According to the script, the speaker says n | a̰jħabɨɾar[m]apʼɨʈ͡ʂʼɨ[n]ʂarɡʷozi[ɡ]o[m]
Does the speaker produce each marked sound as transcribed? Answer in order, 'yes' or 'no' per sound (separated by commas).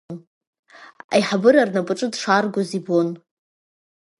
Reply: no, no, no, no